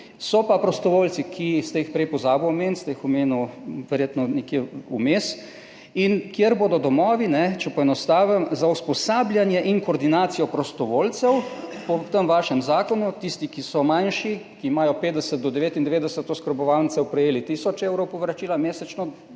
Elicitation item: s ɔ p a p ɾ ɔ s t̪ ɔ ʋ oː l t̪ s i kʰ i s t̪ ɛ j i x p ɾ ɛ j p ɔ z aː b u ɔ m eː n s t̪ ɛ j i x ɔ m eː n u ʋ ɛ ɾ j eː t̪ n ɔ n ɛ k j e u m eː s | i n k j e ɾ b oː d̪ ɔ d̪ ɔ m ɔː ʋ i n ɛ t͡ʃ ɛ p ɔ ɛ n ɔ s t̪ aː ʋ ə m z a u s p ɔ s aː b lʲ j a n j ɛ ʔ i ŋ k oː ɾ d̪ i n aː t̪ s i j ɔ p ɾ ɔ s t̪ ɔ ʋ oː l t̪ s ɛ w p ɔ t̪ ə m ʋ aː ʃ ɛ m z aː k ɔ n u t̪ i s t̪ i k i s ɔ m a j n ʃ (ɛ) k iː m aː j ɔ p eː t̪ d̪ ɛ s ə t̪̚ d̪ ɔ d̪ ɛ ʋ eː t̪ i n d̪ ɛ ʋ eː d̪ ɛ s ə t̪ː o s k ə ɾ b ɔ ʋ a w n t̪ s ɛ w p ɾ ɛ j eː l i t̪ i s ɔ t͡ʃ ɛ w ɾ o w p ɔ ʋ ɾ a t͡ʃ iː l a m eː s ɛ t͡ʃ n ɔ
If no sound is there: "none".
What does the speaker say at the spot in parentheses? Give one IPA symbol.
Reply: i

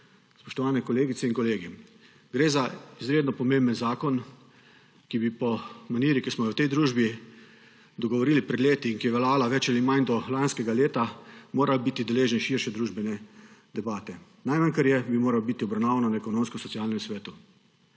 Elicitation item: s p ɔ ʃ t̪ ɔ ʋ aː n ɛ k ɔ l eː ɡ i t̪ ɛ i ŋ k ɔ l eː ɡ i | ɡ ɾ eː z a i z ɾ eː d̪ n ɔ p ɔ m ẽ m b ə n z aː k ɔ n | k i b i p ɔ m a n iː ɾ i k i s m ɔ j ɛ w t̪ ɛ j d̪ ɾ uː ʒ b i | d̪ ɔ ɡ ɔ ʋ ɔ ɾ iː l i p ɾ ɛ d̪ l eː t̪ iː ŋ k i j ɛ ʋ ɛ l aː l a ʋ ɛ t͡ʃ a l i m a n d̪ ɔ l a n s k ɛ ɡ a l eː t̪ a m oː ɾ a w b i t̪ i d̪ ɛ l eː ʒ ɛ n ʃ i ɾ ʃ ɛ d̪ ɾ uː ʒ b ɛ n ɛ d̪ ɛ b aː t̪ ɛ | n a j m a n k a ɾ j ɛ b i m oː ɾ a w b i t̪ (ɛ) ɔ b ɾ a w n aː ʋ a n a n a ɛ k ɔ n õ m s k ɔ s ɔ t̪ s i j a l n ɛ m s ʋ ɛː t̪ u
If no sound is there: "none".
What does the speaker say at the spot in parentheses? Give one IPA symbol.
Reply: i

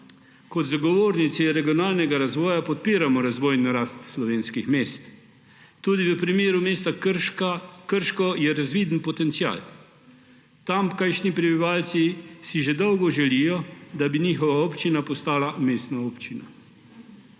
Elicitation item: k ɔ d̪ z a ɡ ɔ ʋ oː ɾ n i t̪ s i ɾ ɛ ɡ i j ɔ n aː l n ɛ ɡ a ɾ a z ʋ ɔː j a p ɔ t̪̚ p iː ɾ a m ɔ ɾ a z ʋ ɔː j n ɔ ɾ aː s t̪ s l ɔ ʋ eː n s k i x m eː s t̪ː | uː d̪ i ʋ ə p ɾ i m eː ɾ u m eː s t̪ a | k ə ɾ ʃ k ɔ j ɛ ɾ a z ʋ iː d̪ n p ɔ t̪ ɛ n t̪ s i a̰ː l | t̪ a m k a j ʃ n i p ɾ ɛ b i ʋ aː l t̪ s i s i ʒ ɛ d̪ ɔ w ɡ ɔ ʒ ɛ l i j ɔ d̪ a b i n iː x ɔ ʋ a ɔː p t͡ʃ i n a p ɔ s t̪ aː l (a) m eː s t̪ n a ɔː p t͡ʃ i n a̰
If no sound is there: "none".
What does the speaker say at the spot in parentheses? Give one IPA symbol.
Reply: a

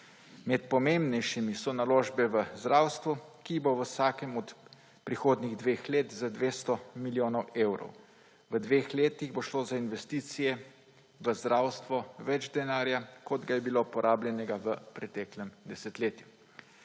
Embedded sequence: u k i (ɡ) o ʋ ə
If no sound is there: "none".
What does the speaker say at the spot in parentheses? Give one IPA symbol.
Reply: b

